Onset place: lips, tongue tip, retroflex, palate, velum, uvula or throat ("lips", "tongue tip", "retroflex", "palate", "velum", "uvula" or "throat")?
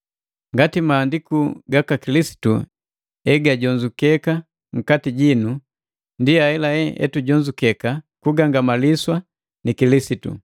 velum